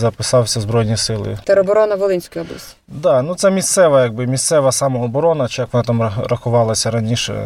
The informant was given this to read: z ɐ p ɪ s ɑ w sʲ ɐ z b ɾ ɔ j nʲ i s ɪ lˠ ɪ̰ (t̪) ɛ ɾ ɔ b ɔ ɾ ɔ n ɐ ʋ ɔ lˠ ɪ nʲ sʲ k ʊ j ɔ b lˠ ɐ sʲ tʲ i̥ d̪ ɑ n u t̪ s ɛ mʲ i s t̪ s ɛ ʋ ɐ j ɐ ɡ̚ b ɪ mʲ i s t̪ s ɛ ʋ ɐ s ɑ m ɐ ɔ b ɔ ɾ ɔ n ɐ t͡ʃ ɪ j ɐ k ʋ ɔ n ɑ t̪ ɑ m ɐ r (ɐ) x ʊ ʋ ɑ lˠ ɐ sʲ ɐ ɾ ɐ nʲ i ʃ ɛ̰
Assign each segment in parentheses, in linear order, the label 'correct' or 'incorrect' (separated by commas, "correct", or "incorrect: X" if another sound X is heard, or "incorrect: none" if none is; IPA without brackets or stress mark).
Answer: correct, correct